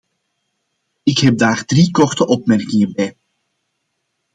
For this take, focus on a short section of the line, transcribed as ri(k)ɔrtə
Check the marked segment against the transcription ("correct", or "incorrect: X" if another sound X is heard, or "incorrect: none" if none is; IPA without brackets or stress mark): correct